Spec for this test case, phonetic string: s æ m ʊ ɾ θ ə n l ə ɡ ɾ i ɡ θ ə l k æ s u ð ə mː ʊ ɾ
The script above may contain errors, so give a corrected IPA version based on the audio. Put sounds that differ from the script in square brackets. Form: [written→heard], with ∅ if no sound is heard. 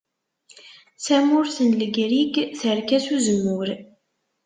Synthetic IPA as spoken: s æ m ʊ ɾ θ ə n l ə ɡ ɾ i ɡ θ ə [l→ɾ] k æ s u [ð→z] ə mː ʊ ɾ